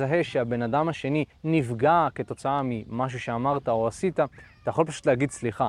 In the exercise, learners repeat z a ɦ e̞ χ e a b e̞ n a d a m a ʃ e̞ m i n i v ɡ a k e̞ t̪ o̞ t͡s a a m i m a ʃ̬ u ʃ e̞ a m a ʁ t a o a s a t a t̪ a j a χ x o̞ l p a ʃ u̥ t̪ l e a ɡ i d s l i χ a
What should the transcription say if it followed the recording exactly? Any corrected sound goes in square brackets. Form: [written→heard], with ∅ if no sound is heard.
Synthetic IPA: z a ɦ e̞ [χ→ʃ] e a b e̞ n a d a m a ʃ e̞ [m→n] i n i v ɡ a k e̞ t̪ o̞ t͡s a a m i m a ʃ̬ u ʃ e̞ a m a ʁ t a o a s [a→i] t a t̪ a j a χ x o̞ l p a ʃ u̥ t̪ l e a ɡ i d s l i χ a